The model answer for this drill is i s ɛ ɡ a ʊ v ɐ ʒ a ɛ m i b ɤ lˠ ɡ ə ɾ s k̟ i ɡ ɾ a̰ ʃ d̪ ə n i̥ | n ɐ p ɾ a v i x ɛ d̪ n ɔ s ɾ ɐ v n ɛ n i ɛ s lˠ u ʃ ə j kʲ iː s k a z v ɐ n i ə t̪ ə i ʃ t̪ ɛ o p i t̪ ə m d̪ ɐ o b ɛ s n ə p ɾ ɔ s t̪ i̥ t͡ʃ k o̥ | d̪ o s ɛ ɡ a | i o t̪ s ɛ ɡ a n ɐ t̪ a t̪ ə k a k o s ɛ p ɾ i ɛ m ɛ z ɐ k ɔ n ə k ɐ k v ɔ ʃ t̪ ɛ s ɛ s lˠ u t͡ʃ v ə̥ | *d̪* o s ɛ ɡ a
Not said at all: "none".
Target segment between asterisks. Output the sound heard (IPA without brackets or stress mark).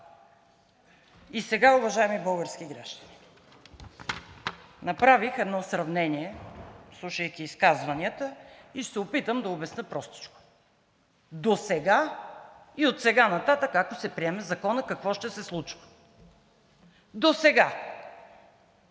d̪